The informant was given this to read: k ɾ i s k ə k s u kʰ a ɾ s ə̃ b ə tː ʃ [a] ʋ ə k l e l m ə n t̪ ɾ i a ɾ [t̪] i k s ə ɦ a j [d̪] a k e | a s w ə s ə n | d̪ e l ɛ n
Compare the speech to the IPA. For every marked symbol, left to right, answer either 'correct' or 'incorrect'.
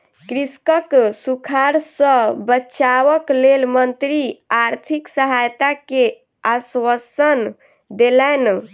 correct, incorrect: t̪ʰ, incorrect: t̪

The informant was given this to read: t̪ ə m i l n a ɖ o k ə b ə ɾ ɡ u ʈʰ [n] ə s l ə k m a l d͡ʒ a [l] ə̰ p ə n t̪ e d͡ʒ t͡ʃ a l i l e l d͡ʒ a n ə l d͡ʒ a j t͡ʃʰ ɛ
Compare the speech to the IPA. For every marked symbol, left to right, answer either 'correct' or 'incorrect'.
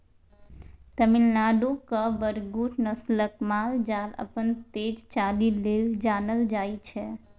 correct, correct

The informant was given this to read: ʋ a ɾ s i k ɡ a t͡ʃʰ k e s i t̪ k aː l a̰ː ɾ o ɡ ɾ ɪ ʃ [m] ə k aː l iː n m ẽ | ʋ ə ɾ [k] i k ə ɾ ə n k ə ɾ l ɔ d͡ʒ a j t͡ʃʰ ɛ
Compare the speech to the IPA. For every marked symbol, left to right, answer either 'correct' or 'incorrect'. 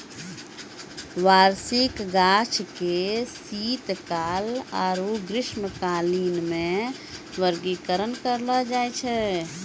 correct, incorrect: ɡ

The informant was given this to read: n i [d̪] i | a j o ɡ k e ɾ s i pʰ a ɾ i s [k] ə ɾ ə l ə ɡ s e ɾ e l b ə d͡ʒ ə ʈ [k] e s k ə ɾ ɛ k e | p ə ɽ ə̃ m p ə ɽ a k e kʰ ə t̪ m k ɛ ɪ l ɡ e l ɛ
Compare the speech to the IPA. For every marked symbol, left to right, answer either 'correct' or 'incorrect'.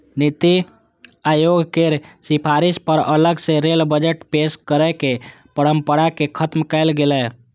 incorrect: t̪, incorrect: p, incorrect: p

